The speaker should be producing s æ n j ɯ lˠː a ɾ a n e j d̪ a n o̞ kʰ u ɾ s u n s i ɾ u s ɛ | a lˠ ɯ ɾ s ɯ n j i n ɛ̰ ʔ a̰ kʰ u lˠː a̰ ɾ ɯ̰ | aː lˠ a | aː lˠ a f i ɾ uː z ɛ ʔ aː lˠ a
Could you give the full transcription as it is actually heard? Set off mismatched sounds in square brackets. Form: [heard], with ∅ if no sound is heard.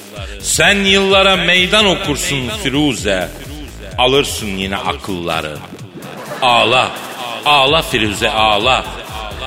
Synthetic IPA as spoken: s æ n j ɯ lˠː a ɾ a [m] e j d̪ a n o̞ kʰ u ɾ s u n [f] i ɾ u [z] ɛ | a lˠ ɯ ɾ s ɯ n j i n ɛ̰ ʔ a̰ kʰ [ɯ] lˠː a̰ ɾ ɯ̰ | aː lˠ a | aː lˠ a f i ɾ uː z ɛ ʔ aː lˠ a